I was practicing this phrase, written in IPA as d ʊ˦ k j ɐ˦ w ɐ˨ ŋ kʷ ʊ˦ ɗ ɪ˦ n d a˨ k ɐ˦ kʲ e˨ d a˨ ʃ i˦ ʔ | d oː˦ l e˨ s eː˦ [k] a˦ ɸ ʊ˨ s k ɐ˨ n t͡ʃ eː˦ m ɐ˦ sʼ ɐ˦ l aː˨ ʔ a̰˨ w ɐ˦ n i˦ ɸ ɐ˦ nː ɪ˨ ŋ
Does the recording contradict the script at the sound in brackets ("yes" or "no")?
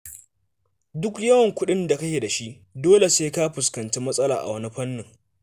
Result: no